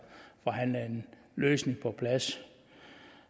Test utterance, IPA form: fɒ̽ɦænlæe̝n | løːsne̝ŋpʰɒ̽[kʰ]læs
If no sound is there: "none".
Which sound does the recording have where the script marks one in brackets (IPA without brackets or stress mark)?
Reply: pʰ